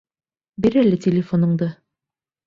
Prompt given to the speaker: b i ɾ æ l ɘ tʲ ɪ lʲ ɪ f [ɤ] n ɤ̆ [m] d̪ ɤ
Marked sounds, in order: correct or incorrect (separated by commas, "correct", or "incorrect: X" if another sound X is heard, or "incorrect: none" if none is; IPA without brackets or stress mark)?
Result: incorrect: o, incorrect: ɴ